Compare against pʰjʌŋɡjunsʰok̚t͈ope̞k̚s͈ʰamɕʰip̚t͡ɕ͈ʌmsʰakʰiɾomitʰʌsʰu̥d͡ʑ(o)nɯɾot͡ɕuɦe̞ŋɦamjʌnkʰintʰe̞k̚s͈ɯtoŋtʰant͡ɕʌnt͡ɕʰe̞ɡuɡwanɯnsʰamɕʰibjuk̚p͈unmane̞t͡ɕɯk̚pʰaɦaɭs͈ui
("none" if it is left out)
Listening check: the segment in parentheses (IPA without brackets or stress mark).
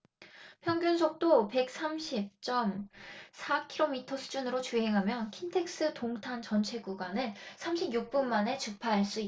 u